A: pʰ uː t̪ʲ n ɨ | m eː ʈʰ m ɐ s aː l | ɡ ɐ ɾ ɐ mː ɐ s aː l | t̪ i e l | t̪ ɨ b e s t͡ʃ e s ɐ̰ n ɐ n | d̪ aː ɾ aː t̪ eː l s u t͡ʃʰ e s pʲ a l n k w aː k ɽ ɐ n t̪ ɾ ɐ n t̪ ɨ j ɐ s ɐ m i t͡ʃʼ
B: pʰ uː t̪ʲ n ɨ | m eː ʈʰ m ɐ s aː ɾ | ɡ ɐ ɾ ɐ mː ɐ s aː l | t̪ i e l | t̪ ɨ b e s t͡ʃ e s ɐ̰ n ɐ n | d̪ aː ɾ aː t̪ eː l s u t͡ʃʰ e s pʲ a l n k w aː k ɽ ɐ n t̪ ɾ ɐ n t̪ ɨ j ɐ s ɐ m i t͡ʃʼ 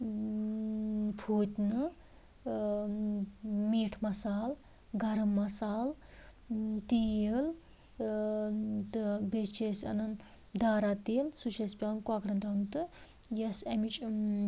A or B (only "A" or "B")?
A